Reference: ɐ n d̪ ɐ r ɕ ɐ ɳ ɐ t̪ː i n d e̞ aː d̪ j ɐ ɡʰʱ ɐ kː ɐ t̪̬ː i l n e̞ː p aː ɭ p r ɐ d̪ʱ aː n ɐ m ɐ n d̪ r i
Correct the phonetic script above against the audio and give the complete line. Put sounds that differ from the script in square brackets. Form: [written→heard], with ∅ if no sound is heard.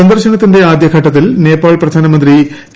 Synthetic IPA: ɐ n d̪ ɐ r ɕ ɐ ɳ ɐ t̪ː i n d e̞ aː d̪ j ɐ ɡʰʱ ɐ [kː→ʈː] ɐ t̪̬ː i l n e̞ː p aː ɭ p r ɐ d̪ʱ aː n ɐ m ɐ n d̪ r i